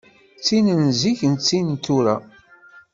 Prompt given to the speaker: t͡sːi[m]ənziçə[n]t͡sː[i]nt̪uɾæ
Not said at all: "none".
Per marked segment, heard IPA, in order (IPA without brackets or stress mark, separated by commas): n, n, i